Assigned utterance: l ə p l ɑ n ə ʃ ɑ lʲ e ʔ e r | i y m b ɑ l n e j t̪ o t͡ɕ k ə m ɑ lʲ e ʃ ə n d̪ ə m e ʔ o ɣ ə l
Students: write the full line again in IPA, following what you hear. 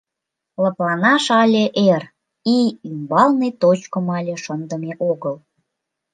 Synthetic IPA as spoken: l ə p l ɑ n ɑ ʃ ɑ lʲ e ʔ e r | i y m b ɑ l n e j t̪ o t͡ɕ k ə m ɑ lʲ e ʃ ə n d̪ ə m e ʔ o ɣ ə l